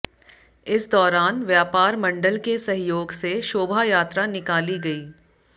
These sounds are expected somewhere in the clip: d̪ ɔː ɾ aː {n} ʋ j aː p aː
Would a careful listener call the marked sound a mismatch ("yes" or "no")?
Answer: no